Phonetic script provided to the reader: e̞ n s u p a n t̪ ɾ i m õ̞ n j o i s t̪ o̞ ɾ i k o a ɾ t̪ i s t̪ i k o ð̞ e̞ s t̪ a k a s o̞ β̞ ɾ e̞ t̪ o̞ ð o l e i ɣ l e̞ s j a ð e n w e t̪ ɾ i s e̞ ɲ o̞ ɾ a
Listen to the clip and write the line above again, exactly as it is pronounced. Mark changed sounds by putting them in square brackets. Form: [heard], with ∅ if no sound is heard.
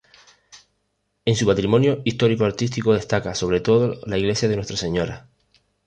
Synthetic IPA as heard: e̞ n s u p a [∅] t̪ ɾ i m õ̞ n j o i s t̪ o̞ ɾ i k o a ɾ t̪ i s t̪ i k o ð̞ e̞ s t̪ a k a s o̞ β̞ ɾ e̞ t̪ o̞ ð o l [a] i ɣ l e̞ s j a ð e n w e t̪ ɾ [a] s e̞ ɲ o̞ ɾ a